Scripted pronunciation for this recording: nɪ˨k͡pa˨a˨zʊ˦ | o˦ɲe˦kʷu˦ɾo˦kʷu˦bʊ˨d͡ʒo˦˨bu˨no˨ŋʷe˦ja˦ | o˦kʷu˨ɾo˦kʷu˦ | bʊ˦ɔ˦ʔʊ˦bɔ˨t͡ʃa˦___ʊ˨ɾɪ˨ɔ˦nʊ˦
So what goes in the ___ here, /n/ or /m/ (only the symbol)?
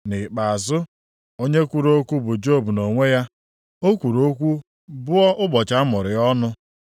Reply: m